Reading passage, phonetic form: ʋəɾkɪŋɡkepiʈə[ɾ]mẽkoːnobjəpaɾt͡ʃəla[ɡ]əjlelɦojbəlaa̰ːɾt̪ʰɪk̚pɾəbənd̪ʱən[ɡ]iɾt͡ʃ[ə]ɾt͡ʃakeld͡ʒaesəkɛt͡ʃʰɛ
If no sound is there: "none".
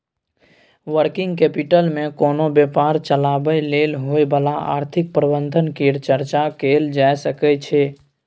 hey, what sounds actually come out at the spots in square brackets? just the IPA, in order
l, b, k, ə

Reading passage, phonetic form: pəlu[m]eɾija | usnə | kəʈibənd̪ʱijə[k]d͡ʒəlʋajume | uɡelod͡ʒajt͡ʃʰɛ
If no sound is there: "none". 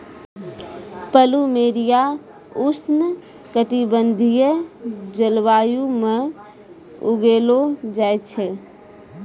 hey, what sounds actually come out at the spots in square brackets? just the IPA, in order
m, none

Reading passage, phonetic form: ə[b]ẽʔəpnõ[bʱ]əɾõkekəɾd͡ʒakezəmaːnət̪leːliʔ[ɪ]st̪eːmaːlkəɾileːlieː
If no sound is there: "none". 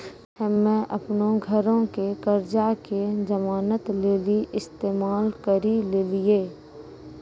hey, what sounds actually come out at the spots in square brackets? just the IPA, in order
m, ɡʱ, ɪ

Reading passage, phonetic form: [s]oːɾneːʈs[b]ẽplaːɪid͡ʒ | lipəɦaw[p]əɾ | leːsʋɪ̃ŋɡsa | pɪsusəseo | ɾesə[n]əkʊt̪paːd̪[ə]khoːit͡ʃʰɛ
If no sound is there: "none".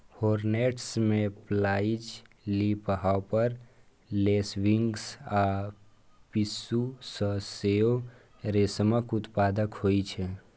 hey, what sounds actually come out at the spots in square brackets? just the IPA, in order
h, m, p, m, ə

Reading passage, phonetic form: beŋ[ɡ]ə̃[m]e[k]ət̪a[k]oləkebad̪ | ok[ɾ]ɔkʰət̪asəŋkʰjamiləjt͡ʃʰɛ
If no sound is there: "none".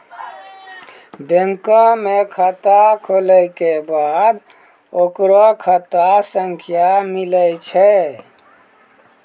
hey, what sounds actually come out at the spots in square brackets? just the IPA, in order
k, m, kʰ, kʰ, ɾ

